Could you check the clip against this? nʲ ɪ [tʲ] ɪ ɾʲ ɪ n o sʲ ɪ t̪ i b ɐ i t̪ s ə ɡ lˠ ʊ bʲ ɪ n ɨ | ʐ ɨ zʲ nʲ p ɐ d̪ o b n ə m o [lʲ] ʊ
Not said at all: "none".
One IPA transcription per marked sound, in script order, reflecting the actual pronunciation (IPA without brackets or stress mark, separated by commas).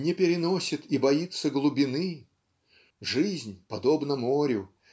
pʲ, ɾʲ